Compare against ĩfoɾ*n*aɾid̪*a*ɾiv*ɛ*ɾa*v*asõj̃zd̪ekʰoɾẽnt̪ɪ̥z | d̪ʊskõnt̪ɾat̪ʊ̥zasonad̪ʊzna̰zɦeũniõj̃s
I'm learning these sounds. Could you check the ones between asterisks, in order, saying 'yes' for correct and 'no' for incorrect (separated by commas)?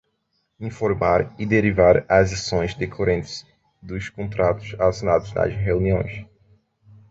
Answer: no, no, no, no